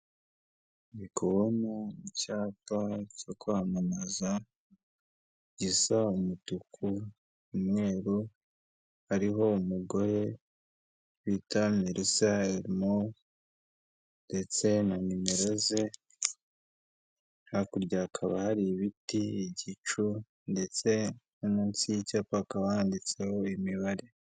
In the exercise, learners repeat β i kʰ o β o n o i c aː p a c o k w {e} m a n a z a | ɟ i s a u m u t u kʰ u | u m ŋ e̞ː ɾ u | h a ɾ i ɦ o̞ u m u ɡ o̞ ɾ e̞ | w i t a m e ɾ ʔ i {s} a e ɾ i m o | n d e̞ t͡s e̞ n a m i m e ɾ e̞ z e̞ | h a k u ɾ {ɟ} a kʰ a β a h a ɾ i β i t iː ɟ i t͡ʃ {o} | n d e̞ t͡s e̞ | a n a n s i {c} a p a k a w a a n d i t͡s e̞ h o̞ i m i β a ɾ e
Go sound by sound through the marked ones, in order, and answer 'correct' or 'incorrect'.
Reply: incorrect: a, correct, correct, incorrect: u, correct

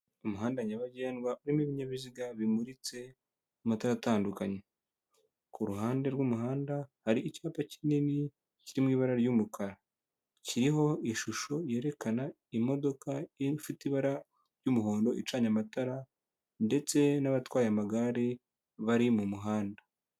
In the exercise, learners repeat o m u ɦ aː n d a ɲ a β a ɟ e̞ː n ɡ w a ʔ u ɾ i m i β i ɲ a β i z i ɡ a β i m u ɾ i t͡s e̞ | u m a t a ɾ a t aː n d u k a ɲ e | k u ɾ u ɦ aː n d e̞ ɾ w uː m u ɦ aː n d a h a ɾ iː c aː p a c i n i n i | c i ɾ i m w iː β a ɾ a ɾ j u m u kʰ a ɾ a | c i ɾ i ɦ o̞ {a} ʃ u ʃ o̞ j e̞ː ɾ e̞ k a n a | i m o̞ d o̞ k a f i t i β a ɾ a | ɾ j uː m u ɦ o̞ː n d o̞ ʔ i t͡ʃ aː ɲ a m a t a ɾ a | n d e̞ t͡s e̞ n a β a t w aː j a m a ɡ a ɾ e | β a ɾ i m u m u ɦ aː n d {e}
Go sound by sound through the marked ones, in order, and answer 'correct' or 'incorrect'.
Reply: incorrect: i, incorrect: a

